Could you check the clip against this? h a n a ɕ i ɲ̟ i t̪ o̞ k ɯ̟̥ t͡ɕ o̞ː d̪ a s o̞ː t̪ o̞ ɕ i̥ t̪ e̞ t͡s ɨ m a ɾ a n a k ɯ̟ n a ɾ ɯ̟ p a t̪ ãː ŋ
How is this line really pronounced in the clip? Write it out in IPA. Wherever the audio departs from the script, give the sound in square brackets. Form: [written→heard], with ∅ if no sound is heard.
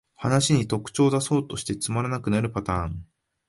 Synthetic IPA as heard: h a n a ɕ i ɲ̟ i t̪ o̞ k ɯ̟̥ t͡ɕ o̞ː d̪ a s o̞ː t̪ o̞ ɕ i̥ t̪ e̞ t͡s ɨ m a ɾ a n a k ɯ̟ n a ɾ ɯ̟ p a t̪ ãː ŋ